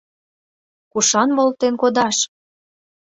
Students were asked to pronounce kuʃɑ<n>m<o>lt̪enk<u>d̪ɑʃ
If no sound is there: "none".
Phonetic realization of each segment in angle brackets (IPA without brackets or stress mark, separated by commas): n, o, o